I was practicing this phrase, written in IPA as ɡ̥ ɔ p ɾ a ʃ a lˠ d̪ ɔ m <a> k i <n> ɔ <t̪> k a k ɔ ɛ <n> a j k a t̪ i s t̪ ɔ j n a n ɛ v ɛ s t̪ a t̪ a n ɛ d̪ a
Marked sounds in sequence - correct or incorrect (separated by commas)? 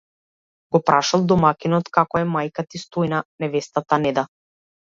correct, correct, correct, incorrect